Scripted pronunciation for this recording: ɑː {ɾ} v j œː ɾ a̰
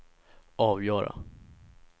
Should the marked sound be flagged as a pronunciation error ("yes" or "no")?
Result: yes